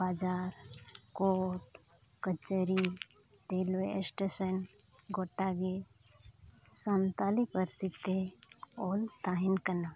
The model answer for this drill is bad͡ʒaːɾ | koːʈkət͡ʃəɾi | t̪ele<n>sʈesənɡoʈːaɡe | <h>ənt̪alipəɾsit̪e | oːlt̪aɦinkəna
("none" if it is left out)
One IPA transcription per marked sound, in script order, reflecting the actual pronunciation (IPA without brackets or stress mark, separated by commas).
none, s